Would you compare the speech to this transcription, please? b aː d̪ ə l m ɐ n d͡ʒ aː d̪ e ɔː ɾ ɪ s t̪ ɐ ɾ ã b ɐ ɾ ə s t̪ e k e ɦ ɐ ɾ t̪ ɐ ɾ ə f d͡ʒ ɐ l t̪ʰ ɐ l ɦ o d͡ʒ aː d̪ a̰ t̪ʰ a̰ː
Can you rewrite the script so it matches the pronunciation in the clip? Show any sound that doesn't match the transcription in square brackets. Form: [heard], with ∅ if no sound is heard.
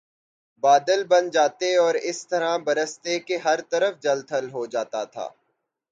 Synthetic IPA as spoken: b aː d̪ ə l [b] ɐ n d͡ʒ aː [t̪] e ɔː ɾ ɪ s t̪ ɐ ɾ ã b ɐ ɾ ə s t̪ e k e ɦ ɐ ɾ t̪ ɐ ɾ ə f d͡ʒ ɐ l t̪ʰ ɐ l ɦ o d͡ʒ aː [t̪] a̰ t̪ʰ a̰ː